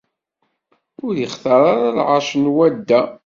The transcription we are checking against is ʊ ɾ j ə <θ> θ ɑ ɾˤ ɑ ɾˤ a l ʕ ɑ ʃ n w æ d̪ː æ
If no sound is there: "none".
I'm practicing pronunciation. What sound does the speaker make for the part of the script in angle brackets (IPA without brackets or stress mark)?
χ